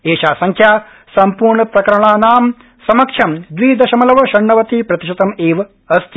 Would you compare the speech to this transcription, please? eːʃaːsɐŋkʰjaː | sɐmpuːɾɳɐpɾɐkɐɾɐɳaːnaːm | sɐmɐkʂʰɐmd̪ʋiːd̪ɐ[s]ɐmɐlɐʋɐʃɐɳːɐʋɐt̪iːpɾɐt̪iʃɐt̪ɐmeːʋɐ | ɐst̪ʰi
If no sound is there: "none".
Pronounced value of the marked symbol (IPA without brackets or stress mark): ʃ